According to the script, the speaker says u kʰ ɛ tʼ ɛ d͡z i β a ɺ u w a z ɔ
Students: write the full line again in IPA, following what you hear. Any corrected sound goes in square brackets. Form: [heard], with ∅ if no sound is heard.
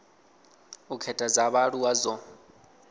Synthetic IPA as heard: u kʰ ɛ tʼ [a] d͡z [a] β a ɺ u w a z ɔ